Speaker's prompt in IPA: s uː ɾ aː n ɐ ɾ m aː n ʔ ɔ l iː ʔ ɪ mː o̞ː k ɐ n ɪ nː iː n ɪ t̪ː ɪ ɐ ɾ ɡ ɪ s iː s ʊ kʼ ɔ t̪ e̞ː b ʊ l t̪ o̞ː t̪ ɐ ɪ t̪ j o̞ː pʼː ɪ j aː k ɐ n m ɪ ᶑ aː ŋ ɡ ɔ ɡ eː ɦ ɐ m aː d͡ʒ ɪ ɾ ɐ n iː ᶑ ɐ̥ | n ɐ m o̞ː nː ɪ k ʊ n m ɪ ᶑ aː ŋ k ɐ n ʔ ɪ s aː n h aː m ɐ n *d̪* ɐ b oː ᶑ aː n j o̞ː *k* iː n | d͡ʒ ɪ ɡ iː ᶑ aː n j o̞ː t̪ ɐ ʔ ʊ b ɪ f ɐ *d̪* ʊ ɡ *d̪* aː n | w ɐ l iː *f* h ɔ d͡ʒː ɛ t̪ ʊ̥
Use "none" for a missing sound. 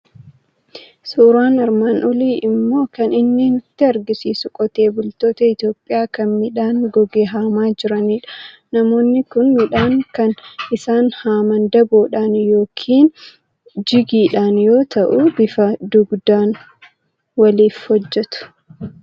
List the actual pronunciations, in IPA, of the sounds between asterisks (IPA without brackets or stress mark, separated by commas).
d̪, kʰ, d̪, d̪, f